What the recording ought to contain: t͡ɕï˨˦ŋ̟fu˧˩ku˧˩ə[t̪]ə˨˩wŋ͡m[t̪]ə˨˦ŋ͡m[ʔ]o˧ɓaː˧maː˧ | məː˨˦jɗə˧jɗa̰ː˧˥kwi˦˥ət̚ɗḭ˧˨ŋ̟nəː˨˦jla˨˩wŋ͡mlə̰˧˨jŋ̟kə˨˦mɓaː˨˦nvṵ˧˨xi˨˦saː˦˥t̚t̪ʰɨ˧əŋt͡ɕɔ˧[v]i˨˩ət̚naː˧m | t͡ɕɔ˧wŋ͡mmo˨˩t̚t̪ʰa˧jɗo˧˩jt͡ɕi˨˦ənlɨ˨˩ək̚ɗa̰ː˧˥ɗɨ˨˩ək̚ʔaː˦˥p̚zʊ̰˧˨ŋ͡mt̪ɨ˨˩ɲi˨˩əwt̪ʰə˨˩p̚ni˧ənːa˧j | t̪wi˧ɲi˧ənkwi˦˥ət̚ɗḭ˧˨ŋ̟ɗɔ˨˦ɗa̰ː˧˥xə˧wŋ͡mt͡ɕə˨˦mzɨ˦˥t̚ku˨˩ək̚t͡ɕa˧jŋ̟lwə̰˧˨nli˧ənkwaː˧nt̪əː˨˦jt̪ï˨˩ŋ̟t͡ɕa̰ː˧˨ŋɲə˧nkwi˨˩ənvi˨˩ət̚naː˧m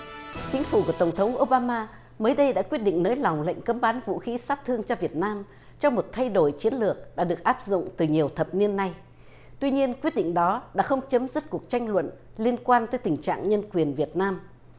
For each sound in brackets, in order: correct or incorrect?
correct, incorrect: t̪ʰ, correct, correct

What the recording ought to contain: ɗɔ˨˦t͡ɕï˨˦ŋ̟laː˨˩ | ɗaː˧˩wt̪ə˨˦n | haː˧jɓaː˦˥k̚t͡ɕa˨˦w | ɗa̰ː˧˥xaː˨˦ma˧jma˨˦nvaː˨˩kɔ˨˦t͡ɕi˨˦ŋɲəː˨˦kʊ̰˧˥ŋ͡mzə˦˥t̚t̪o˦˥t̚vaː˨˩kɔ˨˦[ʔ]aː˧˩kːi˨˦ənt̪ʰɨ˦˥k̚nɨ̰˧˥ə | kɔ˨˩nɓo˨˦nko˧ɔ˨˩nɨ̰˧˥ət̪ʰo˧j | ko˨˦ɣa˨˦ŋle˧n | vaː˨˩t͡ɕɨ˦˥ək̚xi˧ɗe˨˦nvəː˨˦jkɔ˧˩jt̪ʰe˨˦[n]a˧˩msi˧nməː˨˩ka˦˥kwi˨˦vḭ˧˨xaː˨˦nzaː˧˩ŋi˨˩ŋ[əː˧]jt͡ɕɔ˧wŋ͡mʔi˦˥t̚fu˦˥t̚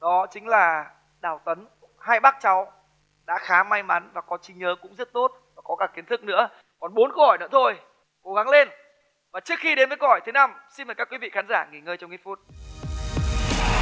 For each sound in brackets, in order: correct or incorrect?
incorrect: k, correct, correct

